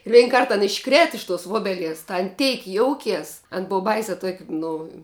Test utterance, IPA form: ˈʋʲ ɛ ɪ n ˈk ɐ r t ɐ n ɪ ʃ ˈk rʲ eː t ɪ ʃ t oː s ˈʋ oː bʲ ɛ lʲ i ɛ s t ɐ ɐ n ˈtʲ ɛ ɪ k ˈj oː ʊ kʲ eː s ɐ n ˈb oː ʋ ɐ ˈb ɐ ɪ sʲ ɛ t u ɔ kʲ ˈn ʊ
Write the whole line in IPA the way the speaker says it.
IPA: ˈʋʲ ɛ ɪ n ˈk ɐ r t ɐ n ɪ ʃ ˈk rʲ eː t ɪ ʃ t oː s ˈʋ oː bʲ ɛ lʲ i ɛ s t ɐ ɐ n ˈtʲ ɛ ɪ k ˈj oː ʊ kʲ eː s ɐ n ˈb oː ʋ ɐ ˈb ɐ ɪ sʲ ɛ t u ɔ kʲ ˈn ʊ

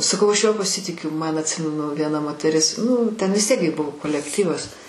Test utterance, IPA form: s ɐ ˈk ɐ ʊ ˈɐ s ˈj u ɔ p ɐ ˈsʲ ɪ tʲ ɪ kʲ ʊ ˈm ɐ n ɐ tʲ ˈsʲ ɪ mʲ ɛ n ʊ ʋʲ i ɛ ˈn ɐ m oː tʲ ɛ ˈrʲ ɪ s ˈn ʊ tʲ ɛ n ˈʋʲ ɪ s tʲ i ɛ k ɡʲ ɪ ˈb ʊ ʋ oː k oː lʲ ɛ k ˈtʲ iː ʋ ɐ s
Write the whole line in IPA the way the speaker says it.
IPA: s ɐ ˈk ɐ ʊ ˈɐ ʃ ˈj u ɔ p ɐ ˈsʲ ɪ tʲ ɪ kʲ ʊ ˈm ɐ n ɐ tʲ ˈsʲ ɪ mʲ ɛ n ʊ ʋʲ i ɛ ˈn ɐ m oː tʲ ɛ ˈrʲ ɪ s ˈn ʊ tʲ ɛ n ˈʋʲ ɪ s tʲ i ɛ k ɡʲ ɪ ˈb ʊ ʋ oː k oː lʲ ɛ k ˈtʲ iː ʋ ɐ s

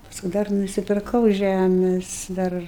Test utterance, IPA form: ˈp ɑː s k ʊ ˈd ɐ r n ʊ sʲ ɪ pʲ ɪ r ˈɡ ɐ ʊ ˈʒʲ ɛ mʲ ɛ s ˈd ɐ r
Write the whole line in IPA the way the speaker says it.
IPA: ˈp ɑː s k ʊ ˈd ɐ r n ʊ sʲ ɪ pʲ ɪ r ˈk ɐ ʊ ˈʒʲ æ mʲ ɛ s ˈd ɐ r

